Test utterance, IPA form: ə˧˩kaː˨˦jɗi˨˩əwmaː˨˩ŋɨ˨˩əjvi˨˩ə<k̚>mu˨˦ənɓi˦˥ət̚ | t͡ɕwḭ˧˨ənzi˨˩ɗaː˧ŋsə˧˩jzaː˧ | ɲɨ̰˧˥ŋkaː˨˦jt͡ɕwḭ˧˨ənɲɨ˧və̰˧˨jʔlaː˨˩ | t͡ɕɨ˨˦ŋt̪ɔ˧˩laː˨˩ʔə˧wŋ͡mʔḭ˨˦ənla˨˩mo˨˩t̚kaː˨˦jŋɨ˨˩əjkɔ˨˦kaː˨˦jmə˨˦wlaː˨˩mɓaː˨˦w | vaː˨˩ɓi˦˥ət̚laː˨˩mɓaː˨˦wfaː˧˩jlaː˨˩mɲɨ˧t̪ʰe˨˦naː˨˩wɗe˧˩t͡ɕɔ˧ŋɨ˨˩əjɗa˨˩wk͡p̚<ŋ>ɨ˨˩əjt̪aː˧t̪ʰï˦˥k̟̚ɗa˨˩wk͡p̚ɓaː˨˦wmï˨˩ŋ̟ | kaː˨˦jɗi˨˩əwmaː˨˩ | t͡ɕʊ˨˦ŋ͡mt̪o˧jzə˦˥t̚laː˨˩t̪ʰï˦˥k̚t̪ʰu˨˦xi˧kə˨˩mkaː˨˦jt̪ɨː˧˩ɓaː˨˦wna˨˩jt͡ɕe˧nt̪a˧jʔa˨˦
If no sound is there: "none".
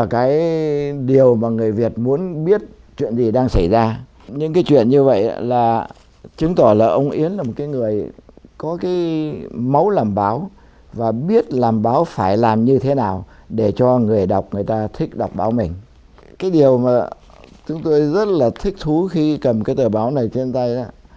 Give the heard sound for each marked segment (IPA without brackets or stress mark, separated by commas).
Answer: t̚, ŋ